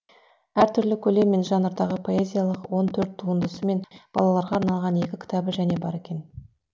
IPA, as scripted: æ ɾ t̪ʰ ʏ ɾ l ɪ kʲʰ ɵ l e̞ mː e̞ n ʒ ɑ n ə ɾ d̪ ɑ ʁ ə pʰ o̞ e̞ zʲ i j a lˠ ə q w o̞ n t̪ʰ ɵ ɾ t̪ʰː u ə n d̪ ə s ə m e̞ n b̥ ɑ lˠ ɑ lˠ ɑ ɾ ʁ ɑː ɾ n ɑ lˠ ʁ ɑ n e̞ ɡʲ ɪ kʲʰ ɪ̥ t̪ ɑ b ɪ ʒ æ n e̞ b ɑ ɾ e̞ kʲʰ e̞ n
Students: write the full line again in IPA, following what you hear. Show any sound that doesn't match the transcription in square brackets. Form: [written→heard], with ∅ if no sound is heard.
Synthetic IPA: æ ɾ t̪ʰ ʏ ɾ l ɪ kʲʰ ɵ l e̞ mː e̞ n ʒ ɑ n ə ɾ d̪ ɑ ʁ ə pʰ o̞ e̞ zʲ i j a lˠ ə q w o̞ n t̪ʰ ɵ ɾ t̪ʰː u ə n d̪ ə s ə m e̞ n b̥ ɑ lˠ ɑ lˠ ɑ ɾ ʁ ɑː ɾ n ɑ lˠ ʁ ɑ n e̞ [ɡʲ→kʲ] ɪ kʲʰ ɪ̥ t̪ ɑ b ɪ ʒ æ n e̞ b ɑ ɾ e̞ [kʲʰ→kʲ] e̞ n

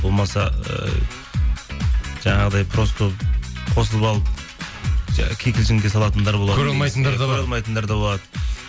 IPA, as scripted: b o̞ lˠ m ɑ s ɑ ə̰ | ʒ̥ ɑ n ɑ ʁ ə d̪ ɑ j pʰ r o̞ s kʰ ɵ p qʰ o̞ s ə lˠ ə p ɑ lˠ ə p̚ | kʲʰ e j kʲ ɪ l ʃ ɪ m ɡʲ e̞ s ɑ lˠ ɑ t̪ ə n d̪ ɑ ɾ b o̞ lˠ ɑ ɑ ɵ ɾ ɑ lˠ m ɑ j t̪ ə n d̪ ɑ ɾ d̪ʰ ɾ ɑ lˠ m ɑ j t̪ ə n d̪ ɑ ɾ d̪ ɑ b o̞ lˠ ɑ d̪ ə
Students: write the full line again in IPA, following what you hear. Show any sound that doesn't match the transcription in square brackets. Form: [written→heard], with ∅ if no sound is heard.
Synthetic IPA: b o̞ lˠ m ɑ s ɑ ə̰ | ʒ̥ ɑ [n→ɴ] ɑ ʁ ə d̪ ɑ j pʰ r o̞ s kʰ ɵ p qʰ o̞ s ə lˠ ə p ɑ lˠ ə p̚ | kʲʰ e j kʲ ɪ l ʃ ɪ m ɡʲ e̞ s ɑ lˠ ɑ t̪ ə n d̪ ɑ ɾ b o̞ lˠ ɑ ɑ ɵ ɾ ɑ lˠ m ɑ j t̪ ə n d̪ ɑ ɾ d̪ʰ ɾ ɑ lˠ m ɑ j t̪ ə n d̪ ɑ ɾ d̪ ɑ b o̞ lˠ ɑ d̪ ə

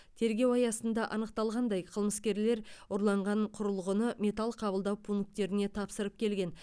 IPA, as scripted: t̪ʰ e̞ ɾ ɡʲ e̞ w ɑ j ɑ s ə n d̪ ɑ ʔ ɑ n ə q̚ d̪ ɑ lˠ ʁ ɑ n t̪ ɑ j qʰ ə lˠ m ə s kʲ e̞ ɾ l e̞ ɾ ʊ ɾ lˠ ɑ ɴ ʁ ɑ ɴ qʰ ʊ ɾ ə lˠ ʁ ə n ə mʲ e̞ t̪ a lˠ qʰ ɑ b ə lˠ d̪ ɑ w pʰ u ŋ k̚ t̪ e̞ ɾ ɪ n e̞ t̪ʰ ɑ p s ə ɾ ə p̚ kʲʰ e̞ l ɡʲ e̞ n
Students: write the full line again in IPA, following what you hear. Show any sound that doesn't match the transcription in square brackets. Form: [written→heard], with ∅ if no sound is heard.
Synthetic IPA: t̪ʰ e̞ ɾ ɡʲ e̞ w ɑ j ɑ s ə n d̪ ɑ ʔ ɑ n ə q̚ [d̪→t̪] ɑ lˠ ʁ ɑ n [t̪→d̪] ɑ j qʰ ə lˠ m ə s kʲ e̞ ɾ l e̞ ɾ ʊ ɾ lˠ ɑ ɴ ʁ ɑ ɴ qʰ ʊ ɾ ə lˠ ʁ ə n ə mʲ e̞ t̪ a lˠ qʰ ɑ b ə lˠ d̪ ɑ w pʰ u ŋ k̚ t̪ e̞ ɾ ɪ n e̞ t̪ʰ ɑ p s ə ɾ ə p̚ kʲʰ e̞ l ɡʲ e̞ n

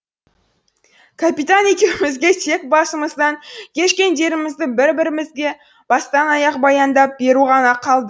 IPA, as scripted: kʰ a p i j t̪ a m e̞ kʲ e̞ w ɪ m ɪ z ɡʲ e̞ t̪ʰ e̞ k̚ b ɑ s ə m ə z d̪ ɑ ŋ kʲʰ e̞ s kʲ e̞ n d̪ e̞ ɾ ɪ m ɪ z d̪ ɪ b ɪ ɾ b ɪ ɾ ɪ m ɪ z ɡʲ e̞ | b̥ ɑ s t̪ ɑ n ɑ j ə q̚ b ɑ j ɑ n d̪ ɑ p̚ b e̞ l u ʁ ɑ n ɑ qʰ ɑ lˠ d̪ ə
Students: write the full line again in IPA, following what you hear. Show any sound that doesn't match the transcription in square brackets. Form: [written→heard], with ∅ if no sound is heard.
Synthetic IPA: kʰ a p i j t̪ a [m→n] e̞ kʲ e̞ w ɪ m ɪ z ɡʲ e̞ t̪ʰ e̞ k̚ b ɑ s ə m ə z d̪ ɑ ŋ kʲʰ e̞ [s→ʃ] kʲ e̞ n d̪ e̞ ɾ ɪ m ɪ z d̪ ɪ b ɪ ɾ b ɪ ɾ ɪ m ɪ z ɡʲ e̞ | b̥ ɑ s t̪ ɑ n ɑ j [ə→ɑ] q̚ b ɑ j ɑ n d̪ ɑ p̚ b e̞ [l→ɾ] u ʁ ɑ n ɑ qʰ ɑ lˠ d̪ ə

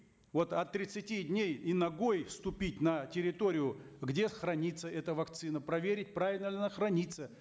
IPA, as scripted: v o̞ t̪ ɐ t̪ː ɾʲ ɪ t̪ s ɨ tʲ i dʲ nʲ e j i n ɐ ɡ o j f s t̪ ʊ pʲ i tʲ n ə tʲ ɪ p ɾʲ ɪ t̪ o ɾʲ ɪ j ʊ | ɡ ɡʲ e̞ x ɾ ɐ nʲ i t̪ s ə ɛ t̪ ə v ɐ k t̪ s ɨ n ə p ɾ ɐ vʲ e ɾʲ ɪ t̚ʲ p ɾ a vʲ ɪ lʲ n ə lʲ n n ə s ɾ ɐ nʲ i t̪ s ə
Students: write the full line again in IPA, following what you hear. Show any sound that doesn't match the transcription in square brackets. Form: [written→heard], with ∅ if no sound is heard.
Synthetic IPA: v o̞ t̪ ɐ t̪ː ɾʲ ɪ t̪ s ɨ tʲ i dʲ nʲ e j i n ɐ ɡ o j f s t̪ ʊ pʲ i tʲ n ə tʲ ɪ [p→∅] ɾʲ ɪ t̪ o ɾʲ ɪ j ʊ | ɡ [ɡʲ→dʲ] e̞ x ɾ ɐ nʲ i t̪ s ə ɛ t̪ ə v ɐ k t̪ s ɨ n ə p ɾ ɐ vʲ e ɾʲ ɪ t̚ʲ p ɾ a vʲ ɪ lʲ n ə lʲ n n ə [s→x] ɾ ɐ nʲ i t̪ s ə

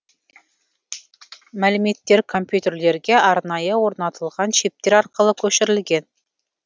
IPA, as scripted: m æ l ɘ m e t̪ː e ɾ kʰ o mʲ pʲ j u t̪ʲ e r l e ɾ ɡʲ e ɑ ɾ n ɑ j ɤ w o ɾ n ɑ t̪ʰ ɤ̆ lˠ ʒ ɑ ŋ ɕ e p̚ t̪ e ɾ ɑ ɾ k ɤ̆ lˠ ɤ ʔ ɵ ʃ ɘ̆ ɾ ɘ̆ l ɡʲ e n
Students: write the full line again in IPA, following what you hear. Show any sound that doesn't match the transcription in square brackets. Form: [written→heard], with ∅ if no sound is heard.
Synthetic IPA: m æ l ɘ m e t̪ː e ɾ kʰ o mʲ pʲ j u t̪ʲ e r l e ɾ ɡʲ e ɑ ɾ n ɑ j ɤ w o ɾ n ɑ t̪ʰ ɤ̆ lˠ [ʒ→ʁ] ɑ [ŋ→n] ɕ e p̚ t̪ e ɾ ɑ ɾ [k→q] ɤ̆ lˠ ɤ [ʔ→k] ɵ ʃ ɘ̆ ɾ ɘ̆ l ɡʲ e n

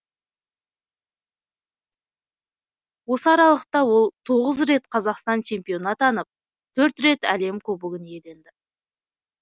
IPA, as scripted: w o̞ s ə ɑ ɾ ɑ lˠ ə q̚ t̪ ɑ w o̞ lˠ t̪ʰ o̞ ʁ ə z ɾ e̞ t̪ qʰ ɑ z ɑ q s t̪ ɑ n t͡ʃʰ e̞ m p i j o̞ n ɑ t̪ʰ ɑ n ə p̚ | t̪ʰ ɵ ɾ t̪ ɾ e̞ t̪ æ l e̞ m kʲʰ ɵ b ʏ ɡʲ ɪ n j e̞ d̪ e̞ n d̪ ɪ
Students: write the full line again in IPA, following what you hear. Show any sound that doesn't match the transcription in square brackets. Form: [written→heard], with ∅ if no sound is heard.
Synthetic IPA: w o̞ s ə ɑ ɾ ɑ lˠ ə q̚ t̪ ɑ w o̞ lˠ t̪ʰ o̞ ʁ ə z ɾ e̞ t̪ qʰ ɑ z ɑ q s t̪ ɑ n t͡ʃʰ e̞ m p i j o̞ n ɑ [t̪ʰ→t̪] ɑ n ə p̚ | t̪ʰ ɵ ɾ t̪ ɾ e̞ t̪ æ l e̞ m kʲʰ ɵ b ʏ ɡʲ ɪ n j e̞ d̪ e̞ n d̪ ɪ

